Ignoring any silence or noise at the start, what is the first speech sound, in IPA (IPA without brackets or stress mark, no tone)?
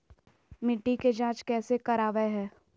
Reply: m